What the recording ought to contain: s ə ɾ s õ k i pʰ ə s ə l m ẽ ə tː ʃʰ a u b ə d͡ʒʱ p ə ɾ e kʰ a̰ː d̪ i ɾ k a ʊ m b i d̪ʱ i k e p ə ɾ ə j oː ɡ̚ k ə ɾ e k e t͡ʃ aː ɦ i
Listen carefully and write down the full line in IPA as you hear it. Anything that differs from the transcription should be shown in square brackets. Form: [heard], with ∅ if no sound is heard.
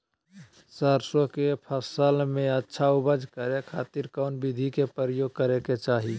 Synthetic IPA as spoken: s ə ɾ s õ k [e] pʰ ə s ə l m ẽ ə tː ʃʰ a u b ə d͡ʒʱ [k] ə ɾ e kʰ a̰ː [t̪] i ɾ k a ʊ [n] b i d̪ʱ i k e p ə ɾ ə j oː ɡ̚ k ə ɾ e k e t͡ʃ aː ɦ i